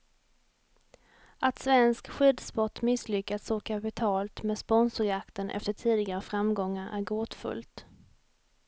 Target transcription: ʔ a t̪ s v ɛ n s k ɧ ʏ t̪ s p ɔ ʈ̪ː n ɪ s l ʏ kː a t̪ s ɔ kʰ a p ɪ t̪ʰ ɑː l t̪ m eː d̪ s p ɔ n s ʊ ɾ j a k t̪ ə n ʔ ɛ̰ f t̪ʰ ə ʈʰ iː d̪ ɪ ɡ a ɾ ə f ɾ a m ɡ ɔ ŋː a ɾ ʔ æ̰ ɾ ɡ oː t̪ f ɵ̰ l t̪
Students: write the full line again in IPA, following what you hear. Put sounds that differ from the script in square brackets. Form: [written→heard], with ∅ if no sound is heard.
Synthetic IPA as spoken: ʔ a t̪ s v ɛ n s k ɧ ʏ [t̪→d̪] s p ɔ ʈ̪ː [n→m] ɪ s l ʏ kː a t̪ s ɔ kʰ a p ɪ t̪ʰ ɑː l t̪ m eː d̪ s p ɔ n s ʊ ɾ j a k t̪ ə n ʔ ɛ̰ f [t̪ʰ→t̪] ə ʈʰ iː d̪ ɪ ɡ a ɾ ə f ɾ a m ɡ ɔ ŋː a ɾ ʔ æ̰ ɾ ɡ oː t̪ f ɵ̰ l t̪